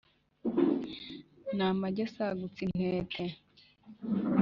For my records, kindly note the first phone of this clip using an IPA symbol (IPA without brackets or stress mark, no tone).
n